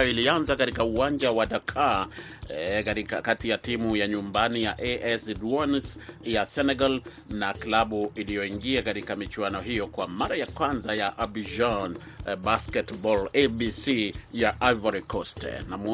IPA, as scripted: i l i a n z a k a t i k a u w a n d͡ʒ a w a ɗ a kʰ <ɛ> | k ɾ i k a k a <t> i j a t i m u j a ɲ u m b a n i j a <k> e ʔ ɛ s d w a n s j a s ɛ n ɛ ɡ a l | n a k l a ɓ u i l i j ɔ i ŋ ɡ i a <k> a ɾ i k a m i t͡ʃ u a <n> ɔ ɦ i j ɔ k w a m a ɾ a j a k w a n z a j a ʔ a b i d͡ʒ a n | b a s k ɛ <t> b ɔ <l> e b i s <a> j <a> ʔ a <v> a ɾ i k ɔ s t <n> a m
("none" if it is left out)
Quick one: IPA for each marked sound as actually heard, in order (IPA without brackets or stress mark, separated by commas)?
a, t, ʔ, k, n, t, l, i, a, v, n